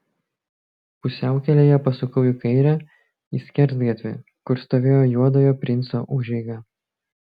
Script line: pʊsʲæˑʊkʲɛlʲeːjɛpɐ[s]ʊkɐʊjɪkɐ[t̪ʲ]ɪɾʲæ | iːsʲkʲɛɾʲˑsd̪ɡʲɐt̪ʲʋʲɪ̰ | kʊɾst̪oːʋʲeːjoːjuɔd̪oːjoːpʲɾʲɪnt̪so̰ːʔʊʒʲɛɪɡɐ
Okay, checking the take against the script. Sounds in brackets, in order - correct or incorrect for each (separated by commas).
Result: correct, incorrect